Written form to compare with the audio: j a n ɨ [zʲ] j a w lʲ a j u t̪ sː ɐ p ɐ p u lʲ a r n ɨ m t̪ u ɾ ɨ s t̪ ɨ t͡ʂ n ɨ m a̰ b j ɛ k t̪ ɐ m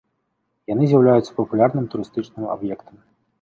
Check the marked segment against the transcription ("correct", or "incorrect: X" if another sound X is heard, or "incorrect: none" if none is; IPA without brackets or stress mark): correct